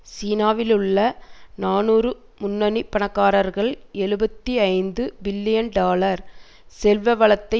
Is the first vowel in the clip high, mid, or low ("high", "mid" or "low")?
high